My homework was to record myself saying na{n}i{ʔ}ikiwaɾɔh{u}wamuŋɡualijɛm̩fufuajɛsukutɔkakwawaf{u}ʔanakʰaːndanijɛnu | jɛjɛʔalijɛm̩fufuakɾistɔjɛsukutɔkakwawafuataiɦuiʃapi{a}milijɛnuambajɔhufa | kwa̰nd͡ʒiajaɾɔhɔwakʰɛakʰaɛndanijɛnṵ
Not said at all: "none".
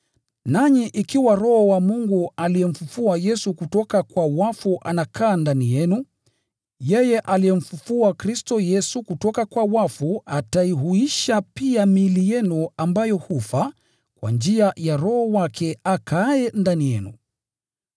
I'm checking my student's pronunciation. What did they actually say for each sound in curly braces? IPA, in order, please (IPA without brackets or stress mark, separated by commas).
ɲ, ʔ, ɔ, u, a